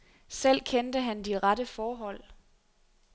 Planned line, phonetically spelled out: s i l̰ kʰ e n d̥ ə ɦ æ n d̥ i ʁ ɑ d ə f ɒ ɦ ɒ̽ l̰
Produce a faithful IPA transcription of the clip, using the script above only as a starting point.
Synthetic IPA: s e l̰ kʰ e n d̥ ə ɦ æ n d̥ i ʁ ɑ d ə f ɒː ɦ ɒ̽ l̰